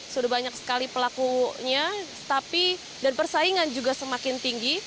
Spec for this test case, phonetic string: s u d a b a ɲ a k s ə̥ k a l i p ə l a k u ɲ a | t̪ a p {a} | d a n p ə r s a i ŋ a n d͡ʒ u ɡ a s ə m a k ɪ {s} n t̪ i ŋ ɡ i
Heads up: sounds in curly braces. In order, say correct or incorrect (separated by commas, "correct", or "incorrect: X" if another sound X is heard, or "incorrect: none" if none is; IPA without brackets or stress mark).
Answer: incorrect: i, incorrect: none